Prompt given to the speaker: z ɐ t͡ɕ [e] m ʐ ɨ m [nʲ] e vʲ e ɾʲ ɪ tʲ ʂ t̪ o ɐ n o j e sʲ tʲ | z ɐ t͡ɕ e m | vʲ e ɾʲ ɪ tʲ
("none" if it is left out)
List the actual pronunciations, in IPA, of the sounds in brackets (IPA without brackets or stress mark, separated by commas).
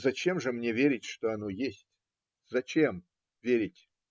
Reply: e, nʲ